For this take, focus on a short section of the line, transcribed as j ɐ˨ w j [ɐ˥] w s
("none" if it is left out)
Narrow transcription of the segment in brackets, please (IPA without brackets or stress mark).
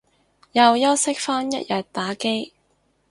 ɐ˥